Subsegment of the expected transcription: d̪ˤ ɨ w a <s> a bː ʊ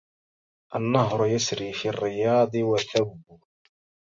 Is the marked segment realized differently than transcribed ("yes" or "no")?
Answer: yes